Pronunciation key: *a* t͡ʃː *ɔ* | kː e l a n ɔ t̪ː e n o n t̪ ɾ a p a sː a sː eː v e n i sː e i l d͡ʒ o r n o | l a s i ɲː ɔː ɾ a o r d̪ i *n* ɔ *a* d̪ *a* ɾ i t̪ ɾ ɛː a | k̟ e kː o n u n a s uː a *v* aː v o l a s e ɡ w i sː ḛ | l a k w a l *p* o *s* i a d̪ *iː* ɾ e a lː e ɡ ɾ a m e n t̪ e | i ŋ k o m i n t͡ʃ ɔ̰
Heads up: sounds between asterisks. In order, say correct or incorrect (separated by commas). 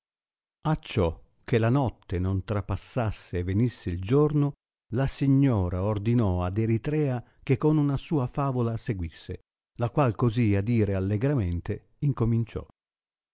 correct, correct, correct, correct, incorrect, incorrect, incorrect, incorrect, correct